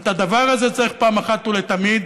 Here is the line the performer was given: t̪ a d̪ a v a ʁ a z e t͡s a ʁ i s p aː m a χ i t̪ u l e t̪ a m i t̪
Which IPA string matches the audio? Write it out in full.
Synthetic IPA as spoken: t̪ a d̪ a v a ʁ a z e t͡s a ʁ i χ p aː m a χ a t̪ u l e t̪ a m i d̪